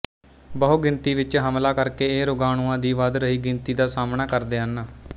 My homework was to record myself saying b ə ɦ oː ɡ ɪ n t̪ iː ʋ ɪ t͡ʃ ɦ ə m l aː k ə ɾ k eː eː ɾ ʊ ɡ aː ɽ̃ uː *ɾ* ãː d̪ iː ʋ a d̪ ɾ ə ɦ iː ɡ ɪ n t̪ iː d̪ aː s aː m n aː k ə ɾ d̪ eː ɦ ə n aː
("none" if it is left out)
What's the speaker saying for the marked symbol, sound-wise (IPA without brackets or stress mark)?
none